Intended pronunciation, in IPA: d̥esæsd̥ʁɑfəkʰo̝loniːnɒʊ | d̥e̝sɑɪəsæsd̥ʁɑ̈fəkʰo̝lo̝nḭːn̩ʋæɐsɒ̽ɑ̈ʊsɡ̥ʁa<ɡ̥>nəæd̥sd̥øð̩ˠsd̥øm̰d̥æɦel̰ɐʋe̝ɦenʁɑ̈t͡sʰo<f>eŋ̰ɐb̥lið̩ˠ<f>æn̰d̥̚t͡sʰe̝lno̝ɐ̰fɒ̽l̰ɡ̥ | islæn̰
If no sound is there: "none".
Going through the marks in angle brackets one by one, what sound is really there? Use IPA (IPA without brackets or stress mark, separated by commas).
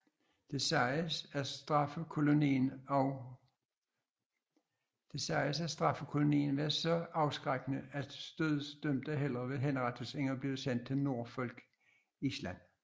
ɡ̥, s, s